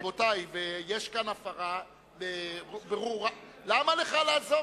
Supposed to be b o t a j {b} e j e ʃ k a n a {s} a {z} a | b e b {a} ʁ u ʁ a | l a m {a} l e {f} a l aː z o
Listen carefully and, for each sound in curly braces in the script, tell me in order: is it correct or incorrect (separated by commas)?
incorrect, incorrect, incorrect, incorrect, correct, incorrect